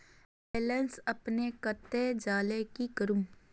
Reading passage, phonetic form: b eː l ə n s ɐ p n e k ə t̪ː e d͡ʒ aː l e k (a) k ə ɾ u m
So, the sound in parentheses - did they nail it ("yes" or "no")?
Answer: no